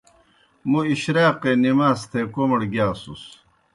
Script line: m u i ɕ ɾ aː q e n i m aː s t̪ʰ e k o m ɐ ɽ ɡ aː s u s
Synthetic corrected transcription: m u i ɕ ɾ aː q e n i m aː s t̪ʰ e k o m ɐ ɽ ɡ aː s u s